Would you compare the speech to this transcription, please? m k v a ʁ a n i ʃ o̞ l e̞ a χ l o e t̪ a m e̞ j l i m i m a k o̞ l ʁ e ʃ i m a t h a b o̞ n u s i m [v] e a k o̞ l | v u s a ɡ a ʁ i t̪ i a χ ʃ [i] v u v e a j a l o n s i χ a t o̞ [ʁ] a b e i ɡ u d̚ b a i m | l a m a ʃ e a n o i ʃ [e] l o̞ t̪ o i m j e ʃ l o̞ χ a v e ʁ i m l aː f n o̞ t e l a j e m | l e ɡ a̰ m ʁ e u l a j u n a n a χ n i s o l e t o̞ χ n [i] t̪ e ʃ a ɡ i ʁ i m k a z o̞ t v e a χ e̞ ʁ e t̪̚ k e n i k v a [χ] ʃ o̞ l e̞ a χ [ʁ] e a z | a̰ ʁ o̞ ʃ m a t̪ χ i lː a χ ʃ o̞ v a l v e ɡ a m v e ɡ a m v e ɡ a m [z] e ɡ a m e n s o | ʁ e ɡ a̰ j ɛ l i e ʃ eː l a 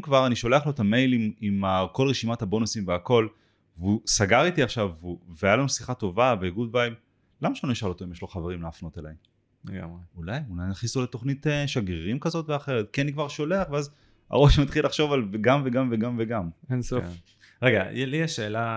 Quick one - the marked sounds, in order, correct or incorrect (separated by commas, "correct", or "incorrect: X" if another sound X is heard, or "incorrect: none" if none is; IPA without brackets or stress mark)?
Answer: correct, incorrect: a, incorrect: v, incorrect: a, correct, incorrect: ʁ, incorrect: v, incorrect: v